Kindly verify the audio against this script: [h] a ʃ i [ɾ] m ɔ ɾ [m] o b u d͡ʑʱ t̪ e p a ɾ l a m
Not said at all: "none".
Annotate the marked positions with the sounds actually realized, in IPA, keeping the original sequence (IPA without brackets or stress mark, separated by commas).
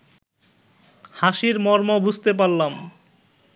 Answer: h, ɾ, m